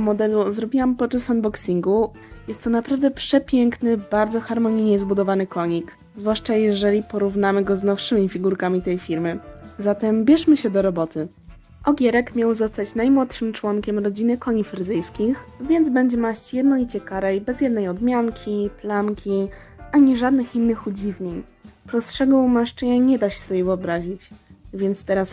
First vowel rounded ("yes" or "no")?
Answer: yes